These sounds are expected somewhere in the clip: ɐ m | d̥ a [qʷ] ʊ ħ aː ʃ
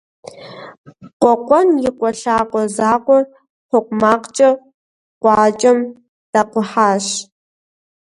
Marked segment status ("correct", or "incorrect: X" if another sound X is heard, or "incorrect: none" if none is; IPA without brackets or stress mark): correct